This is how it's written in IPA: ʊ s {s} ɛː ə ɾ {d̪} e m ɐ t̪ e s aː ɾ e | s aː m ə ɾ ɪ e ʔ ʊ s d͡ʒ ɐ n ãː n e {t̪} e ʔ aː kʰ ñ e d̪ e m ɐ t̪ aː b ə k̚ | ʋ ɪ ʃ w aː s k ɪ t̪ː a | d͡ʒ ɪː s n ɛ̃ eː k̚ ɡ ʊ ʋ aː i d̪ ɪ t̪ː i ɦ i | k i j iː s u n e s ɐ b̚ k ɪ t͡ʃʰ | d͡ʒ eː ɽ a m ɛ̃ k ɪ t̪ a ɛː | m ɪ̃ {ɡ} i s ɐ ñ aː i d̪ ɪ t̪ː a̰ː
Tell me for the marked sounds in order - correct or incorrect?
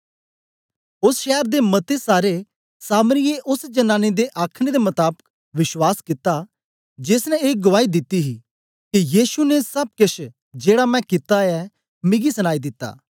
incorrect, correct, incorrect, correct

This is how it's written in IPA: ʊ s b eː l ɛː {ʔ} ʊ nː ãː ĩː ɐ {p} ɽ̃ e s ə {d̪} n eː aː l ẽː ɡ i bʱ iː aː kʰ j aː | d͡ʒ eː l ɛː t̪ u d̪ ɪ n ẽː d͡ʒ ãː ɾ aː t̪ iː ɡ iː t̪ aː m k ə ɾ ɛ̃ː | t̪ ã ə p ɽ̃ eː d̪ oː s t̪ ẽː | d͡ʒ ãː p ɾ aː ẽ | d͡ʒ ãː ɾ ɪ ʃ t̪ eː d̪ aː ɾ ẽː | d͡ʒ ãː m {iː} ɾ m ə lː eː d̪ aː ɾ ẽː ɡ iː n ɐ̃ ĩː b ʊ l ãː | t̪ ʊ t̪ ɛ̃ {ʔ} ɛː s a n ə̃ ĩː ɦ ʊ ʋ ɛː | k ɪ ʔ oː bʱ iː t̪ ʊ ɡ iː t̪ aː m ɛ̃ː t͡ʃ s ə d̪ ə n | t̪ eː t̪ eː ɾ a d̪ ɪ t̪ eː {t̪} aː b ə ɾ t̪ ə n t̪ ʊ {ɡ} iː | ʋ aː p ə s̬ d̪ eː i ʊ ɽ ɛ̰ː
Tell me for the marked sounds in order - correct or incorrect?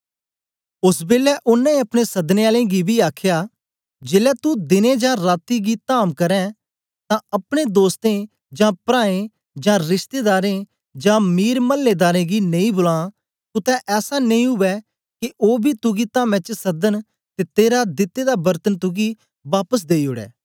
correct, correct, correct, correct, correct, incorrect, correct

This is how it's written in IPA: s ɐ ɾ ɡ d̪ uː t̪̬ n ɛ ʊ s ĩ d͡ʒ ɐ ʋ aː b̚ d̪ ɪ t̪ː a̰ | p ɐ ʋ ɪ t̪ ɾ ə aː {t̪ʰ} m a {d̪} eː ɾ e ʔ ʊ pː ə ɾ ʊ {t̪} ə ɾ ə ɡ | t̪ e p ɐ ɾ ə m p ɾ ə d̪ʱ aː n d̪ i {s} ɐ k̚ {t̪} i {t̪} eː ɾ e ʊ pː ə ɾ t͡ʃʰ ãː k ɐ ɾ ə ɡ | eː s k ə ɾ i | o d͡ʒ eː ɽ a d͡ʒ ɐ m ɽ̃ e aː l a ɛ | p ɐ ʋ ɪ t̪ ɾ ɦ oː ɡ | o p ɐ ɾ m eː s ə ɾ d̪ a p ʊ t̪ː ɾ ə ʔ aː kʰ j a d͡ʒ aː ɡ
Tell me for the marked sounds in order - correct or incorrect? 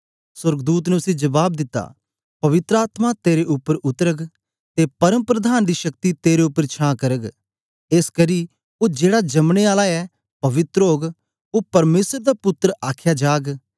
incorrect, incorrect, correct, incorrect, correct, correct

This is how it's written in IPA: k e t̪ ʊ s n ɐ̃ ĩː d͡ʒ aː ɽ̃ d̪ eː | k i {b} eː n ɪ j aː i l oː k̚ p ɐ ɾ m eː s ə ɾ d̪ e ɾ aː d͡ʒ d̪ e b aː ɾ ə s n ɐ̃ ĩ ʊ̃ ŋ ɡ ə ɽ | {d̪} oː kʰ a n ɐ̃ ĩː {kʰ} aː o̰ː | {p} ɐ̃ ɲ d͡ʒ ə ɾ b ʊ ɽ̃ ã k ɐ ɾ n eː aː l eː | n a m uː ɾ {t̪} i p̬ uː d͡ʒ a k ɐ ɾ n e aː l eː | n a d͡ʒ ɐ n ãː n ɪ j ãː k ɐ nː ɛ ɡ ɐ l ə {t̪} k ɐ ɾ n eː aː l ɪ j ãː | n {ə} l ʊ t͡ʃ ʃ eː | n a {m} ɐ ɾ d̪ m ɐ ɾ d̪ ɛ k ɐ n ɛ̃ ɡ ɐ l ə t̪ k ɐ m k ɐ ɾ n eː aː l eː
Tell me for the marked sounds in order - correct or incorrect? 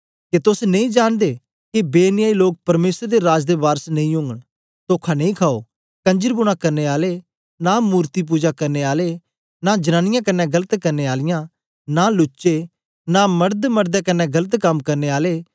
correct, incorrect, correct, incorrect, correct, correct, incorrect, correct

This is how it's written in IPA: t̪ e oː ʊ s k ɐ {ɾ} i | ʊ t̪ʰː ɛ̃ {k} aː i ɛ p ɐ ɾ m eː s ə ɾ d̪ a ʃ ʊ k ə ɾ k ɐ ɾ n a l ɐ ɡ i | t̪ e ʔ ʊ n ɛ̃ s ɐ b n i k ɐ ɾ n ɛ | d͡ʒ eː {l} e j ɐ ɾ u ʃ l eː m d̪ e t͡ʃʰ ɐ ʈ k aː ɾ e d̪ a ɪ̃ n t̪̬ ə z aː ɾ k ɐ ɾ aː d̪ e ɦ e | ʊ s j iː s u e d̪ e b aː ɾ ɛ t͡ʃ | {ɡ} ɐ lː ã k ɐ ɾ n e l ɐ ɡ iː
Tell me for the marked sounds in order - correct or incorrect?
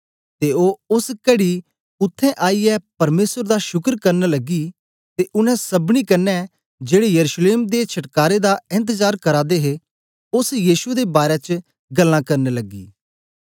incorrect, incorrect, incorrect, correct

